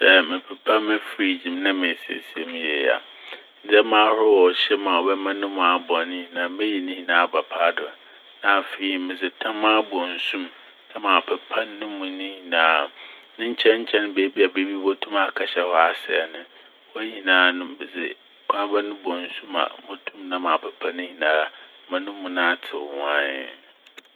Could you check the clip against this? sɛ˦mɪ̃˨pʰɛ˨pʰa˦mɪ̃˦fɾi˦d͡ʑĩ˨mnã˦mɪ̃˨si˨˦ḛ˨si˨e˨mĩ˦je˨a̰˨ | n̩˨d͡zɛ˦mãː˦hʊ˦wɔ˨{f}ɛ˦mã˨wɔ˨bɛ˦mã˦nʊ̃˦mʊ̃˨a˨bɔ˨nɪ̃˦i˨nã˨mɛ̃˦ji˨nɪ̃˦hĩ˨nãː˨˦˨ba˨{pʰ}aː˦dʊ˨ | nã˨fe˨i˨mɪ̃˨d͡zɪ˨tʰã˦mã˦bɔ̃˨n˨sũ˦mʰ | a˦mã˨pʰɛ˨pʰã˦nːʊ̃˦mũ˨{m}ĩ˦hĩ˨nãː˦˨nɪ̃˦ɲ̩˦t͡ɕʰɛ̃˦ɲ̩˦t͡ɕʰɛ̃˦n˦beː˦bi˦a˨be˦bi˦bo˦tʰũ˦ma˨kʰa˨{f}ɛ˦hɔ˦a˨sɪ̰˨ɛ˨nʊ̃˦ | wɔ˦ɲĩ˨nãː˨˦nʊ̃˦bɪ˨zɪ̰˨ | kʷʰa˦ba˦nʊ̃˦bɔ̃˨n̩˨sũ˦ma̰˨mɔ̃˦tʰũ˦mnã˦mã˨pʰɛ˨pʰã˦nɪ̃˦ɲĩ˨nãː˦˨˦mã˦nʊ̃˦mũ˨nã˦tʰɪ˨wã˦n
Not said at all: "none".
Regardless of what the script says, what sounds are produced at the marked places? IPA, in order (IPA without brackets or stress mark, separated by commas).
ɕ, pʰ, n, ɕ